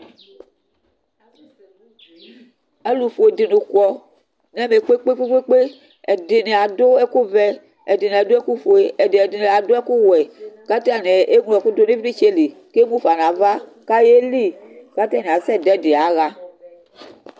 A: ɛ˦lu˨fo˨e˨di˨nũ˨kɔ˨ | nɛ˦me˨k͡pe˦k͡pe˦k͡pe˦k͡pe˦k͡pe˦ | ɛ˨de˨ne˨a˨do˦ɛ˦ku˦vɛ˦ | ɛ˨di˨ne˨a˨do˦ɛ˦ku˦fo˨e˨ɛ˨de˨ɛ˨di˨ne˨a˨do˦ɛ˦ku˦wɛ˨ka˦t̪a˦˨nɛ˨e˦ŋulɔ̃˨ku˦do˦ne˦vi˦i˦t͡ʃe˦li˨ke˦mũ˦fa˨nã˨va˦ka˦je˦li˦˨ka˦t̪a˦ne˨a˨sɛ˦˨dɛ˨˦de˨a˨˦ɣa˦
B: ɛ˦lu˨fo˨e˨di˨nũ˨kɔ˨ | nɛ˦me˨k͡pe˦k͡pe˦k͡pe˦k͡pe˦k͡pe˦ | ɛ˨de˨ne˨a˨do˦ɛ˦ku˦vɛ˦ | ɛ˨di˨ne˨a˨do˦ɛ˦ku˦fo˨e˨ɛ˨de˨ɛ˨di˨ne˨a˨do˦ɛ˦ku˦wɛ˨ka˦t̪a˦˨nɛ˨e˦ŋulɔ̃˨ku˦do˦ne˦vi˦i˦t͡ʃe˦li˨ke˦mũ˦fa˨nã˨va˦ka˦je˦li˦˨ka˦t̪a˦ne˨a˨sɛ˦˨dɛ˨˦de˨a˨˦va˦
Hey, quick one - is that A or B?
A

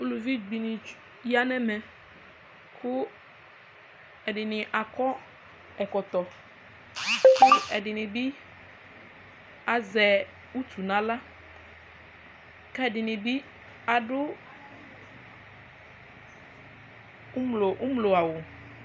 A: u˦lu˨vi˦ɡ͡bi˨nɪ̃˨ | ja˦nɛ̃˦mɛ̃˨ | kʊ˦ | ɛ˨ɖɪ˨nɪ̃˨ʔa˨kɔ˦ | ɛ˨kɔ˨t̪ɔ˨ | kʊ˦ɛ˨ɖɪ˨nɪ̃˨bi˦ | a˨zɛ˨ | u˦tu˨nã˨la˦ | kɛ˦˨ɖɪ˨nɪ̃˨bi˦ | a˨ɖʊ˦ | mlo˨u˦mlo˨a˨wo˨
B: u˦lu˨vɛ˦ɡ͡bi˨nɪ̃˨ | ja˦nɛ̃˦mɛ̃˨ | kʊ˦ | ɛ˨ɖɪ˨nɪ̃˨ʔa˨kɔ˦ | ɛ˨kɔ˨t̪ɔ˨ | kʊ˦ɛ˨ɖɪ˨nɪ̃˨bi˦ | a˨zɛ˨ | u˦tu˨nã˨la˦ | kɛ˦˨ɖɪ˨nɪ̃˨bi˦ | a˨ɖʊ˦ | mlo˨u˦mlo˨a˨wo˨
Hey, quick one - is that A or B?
A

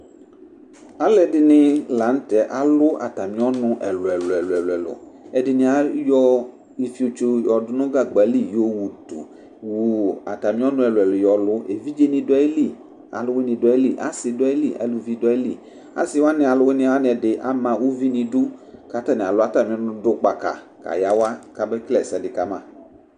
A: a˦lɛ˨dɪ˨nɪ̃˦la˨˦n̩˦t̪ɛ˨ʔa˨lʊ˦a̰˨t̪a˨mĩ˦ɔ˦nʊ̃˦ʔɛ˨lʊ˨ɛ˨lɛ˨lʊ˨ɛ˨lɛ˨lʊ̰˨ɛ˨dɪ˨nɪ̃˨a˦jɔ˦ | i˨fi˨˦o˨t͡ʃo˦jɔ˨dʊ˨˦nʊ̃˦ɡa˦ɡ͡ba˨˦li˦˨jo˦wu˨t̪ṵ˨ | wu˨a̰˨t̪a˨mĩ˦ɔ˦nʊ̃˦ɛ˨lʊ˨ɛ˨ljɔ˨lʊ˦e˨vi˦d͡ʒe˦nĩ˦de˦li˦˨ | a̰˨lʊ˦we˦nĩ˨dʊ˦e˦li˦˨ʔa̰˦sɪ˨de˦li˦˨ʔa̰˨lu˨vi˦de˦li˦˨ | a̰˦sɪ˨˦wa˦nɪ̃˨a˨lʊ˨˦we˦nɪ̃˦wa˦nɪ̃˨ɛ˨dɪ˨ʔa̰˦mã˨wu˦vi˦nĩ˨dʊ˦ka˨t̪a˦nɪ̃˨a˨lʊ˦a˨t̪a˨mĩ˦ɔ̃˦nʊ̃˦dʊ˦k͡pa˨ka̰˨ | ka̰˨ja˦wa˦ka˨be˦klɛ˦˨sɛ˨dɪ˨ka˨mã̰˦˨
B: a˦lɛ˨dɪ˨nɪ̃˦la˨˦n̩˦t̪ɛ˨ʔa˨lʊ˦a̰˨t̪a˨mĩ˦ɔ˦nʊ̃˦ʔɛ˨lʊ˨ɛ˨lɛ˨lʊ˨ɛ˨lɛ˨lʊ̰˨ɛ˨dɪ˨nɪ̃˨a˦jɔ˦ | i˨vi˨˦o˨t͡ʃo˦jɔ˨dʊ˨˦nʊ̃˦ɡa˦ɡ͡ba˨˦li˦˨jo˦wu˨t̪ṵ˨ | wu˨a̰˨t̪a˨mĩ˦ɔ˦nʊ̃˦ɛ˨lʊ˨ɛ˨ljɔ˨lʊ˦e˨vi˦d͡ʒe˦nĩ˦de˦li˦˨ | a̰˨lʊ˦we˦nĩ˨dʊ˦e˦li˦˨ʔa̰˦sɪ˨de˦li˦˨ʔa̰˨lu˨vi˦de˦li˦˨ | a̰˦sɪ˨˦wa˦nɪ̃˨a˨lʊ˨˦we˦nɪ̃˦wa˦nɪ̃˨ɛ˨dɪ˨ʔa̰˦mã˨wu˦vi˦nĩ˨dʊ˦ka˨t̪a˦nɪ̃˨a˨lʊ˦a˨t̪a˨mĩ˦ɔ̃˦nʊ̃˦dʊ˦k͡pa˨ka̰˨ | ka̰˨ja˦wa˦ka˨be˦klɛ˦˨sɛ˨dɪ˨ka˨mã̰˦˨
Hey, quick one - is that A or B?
A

